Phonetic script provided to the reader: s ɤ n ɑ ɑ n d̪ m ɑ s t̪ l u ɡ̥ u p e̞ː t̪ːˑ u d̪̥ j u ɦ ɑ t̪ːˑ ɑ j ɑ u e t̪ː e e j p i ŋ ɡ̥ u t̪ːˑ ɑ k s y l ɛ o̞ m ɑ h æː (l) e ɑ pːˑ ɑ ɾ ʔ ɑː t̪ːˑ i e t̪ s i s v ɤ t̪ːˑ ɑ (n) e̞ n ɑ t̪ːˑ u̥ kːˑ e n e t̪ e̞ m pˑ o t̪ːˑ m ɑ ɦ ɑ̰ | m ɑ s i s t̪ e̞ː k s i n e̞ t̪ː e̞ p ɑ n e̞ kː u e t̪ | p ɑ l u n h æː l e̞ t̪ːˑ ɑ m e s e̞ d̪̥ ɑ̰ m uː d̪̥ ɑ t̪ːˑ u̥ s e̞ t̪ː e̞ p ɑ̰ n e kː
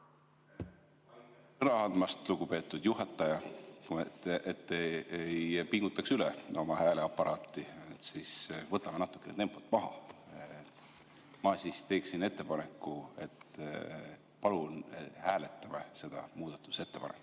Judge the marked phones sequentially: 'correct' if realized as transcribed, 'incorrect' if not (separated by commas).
correct, incorrect